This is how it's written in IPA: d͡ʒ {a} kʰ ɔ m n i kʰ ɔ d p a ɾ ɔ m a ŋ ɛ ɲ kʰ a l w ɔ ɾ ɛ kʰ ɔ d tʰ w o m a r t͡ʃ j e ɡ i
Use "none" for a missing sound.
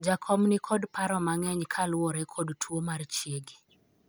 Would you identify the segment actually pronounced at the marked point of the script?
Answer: a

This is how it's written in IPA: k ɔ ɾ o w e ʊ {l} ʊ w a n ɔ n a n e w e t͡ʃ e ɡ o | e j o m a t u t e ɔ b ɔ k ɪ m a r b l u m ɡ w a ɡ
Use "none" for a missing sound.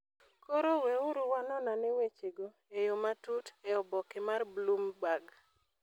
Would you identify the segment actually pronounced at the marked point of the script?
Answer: ɾ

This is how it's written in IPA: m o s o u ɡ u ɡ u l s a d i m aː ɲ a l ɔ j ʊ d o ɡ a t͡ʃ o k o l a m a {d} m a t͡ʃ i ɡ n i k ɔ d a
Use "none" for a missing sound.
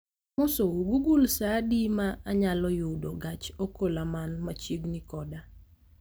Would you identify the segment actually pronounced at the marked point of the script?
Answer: n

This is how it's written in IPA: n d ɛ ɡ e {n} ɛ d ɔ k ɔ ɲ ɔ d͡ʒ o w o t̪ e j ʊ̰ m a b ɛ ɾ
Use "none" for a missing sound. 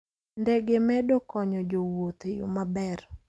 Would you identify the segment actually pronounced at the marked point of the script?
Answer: m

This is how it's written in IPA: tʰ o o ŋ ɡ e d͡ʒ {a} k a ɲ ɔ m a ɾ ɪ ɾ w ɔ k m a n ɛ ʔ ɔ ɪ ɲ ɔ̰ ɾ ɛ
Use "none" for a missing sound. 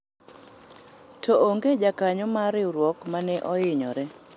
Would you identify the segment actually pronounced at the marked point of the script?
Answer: a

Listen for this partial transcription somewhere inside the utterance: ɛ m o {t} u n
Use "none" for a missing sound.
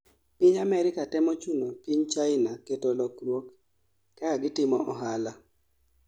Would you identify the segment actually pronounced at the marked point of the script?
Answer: t͡ʃ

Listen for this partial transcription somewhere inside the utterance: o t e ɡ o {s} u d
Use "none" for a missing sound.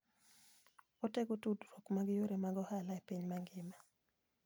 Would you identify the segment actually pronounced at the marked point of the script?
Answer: t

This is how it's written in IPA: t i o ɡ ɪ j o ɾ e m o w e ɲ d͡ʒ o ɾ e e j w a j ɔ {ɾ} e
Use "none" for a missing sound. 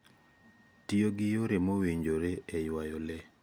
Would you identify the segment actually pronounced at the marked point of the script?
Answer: l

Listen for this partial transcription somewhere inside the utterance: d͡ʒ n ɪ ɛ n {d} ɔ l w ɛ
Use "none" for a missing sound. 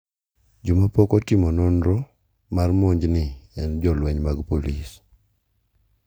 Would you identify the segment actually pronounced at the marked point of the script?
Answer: d͡ʒ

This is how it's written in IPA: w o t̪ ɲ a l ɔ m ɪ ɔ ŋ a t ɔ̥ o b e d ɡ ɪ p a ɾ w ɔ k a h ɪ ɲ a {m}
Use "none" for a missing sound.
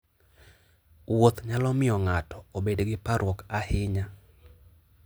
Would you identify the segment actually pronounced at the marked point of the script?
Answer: none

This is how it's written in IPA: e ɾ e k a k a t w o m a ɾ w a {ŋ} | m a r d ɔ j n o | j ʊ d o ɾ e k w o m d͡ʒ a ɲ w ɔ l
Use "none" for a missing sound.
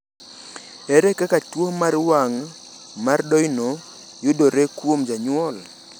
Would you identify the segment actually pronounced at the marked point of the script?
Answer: ŋ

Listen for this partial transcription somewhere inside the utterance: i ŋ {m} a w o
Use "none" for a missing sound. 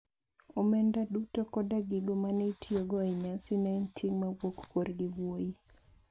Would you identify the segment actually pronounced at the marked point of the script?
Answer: m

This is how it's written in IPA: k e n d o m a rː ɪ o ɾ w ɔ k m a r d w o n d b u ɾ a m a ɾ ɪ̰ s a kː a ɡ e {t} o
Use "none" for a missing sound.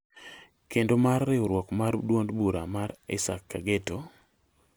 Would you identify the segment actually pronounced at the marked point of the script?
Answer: t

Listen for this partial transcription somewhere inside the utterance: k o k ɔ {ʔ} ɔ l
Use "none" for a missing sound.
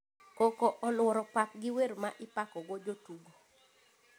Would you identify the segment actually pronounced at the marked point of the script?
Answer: ʔ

